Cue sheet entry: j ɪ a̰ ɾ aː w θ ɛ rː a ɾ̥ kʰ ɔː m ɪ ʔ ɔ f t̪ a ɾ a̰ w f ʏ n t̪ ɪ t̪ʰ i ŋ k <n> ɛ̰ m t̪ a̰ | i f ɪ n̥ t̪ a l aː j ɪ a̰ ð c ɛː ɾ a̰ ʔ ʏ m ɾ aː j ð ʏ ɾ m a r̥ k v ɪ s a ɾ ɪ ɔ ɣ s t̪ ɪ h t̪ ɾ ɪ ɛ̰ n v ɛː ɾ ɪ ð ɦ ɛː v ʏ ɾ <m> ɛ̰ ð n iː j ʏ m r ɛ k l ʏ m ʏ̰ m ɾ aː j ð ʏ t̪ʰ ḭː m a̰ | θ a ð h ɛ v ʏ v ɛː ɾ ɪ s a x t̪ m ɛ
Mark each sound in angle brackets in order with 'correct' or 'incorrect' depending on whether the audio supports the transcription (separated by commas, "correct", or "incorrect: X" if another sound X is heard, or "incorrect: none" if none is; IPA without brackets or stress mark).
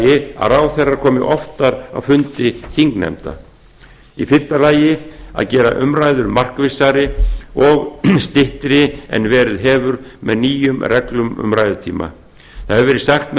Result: correct, correct